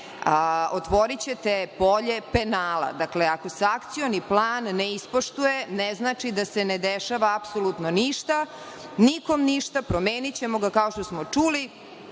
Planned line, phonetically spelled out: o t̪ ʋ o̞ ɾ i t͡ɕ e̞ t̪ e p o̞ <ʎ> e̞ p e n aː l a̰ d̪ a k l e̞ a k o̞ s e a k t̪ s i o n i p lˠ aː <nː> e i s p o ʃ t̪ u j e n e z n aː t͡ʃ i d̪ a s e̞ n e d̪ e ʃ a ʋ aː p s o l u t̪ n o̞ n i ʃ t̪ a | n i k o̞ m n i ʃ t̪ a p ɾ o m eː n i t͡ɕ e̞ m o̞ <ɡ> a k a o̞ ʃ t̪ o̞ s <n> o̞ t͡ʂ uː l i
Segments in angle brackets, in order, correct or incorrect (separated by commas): correct, correct, correct, incorrect